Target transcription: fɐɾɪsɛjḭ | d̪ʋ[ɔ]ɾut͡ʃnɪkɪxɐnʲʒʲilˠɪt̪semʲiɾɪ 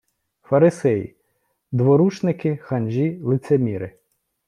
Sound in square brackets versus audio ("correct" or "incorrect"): correct